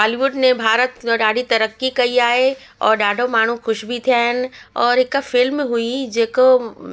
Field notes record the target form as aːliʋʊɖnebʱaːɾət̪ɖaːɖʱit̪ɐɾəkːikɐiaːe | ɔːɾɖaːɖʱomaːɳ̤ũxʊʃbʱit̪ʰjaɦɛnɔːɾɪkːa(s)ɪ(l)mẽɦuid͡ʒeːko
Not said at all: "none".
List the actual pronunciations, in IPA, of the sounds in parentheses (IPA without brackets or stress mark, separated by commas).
f, l